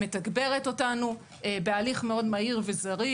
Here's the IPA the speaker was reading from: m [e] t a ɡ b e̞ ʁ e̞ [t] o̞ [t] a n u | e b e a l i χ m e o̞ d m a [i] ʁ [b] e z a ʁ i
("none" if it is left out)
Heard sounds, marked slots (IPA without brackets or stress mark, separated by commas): e, t, t, i, v